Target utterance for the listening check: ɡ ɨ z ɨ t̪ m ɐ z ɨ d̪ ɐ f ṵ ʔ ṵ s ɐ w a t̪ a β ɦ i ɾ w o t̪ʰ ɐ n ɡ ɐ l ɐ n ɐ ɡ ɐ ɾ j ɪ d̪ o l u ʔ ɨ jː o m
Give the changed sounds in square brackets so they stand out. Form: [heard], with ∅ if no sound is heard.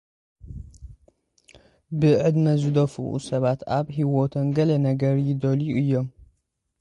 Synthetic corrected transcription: [b] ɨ [ʕ] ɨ [d̪] m ɐ z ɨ d̪ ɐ f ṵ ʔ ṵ s ɐ [β] a t̪ a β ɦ i [∅] w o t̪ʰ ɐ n ɡ ɐ l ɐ n ɐ ɡ ɐ ɾ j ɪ d̪ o l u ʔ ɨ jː o m